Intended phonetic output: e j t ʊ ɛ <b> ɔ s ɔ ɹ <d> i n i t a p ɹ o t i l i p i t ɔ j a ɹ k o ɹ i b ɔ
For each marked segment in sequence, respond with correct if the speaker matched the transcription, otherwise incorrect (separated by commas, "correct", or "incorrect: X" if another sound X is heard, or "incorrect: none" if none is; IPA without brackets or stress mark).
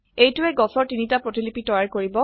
incorrect: ɡ, incorrect: t